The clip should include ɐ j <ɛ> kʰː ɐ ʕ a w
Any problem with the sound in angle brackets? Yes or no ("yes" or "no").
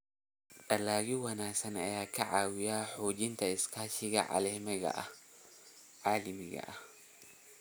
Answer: yes